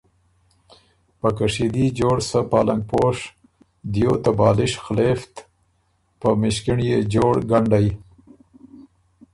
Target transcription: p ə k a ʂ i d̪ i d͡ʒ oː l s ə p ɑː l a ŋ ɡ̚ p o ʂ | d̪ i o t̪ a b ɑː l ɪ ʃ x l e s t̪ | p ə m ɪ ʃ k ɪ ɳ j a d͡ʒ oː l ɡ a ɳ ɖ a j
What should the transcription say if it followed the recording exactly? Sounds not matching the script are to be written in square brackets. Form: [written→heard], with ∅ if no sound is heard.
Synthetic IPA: p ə k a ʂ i d̪ i d͡ʒ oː [l→ɽ] s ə p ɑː l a ŋ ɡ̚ p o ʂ | d̪ [i→j] o t̪ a b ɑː l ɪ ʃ x l e [s→f] t̪ | p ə m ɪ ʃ k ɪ ɳ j [a→e] d͡ʒ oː [l→ɽ] ɡ a ɳ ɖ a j